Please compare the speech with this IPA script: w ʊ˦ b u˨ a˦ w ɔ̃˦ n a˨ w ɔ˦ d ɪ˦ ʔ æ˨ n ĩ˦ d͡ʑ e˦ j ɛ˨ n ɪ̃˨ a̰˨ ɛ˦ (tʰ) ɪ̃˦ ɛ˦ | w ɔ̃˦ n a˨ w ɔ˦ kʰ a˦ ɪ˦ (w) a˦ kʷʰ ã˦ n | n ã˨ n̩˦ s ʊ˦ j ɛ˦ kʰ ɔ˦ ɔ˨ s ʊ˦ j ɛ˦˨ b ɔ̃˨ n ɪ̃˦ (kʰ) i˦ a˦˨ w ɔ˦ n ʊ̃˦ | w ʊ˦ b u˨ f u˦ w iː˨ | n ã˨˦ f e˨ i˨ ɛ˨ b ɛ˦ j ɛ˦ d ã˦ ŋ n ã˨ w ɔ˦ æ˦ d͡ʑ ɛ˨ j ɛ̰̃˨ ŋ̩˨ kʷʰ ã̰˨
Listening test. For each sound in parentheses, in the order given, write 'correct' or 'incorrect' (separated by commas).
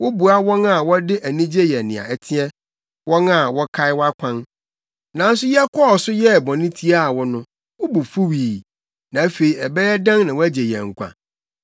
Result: correct, correct, incorrect